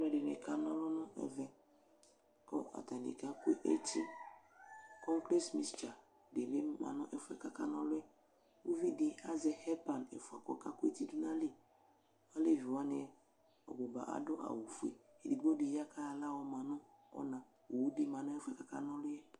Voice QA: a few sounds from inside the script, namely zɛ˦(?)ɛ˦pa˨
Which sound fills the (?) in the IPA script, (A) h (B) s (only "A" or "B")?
A